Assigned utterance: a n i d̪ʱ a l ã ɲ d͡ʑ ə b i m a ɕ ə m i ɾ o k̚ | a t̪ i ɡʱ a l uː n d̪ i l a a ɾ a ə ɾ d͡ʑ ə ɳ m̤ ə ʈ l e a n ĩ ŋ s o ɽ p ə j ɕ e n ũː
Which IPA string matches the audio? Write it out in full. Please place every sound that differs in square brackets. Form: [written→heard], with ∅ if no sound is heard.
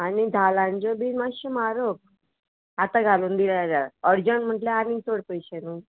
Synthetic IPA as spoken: a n i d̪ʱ a l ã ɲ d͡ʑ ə b i m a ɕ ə m [i→a] ɾ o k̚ | a t̪ [i→a] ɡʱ a l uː n d̪ i l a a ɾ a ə ɾ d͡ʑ ə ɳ m̤ ə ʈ l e a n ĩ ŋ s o ɽ p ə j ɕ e n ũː